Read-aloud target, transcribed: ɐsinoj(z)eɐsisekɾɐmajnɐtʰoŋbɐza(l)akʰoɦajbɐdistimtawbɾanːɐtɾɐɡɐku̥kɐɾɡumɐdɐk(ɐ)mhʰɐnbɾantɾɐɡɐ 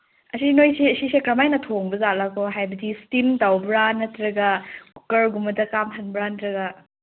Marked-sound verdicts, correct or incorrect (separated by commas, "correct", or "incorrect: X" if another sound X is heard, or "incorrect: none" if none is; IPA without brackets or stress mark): incorrect: s, correct, incorrect: a